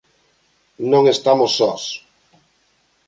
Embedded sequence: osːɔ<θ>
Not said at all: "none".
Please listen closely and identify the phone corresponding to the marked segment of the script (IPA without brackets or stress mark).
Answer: s